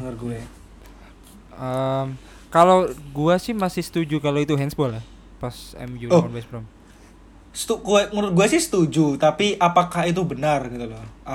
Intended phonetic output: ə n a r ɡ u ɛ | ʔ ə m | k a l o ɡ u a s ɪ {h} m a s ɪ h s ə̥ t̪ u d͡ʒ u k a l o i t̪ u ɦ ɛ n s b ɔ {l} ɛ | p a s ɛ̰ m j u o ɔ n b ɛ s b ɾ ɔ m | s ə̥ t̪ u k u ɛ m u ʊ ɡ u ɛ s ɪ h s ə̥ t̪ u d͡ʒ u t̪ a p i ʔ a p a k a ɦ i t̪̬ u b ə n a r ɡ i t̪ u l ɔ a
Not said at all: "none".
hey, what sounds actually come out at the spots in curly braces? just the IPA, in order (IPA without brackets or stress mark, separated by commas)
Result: h, l